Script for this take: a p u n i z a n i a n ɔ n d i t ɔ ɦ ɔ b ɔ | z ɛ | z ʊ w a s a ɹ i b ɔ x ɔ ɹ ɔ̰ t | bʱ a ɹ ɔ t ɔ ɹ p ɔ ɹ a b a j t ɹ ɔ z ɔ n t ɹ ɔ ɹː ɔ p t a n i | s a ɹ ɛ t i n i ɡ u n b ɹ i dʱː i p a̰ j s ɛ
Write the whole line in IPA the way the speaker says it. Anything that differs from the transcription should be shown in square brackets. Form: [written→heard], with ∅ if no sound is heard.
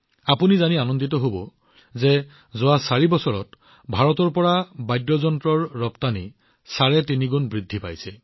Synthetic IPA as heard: a p u n i z a n i a n ɔ n d i t ɔ ɦ [ɔ→o] b ɔ | z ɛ | z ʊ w a s a ɹ i b ɔ [x→s] ɔ ɹ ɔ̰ t | bʱ a ɹ ɔ t ɔ ɹ p ɔ ɹ a b a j [t→d] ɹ ɔ z ɔ n t ɹ ɔ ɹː ɔ p t a n i | s a ɹ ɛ t i n i ɡ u n b ɹ i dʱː i p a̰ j s ɛ